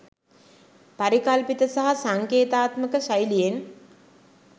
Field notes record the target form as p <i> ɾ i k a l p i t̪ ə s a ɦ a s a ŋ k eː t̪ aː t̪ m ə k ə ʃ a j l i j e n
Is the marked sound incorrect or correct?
incorrect